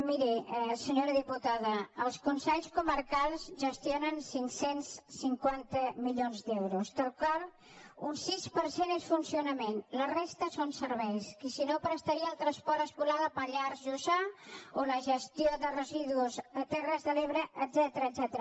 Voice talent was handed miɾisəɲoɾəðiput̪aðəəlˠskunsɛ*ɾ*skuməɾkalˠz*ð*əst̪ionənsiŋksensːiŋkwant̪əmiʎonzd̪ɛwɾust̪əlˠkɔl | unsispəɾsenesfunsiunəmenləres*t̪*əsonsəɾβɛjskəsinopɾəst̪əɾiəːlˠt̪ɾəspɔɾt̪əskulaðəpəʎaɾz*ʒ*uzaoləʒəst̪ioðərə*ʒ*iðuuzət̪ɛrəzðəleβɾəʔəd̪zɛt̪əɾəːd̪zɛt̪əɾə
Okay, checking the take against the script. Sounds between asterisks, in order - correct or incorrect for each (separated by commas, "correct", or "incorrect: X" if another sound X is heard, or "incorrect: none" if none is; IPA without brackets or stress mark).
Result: incorrect: ʎ, incorrect: ʒ, correct, correct, incorrect: z